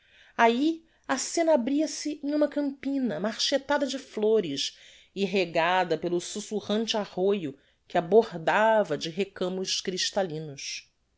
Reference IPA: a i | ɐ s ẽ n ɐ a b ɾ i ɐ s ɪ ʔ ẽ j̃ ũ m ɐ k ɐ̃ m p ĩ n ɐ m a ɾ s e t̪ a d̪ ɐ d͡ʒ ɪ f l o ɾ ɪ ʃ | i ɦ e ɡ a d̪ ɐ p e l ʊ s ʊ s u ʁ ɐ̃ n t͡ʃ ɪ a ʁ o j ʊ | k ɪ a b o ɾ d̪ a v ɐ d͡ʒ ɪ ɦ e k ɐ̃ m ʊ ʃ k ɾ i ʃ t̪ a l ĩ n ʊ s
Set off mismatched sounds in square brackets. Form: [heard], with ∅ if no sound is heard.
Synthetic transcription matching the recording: a i | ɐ s ẽ n ɐ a b ɾ i ɐ s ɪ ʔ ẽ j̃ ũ m ɐ k ɐ̃ m p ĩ n ɐ m a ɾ [ʃ] e t̪ a d̪ ɐ d͡ʒ ɪ f l o ɾ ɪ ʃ | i ɦ e ɡ a d̪ ɐ p e l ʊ s [u] s u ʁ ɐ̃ n t͡ʃ ɪ a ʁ o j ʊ | k ɪ a b o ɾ d̪ a v ɐ d͡ʒ ɪ ɦ e k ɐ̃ m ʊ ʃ k ɾ i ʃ t̪ a l ĩ n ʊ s